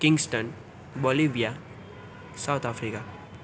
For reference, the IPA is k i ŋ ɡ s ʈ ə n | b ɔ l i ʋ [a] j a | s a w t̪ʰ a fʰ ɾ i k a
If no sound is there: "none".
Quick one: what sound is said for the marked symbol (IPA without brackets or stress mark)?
i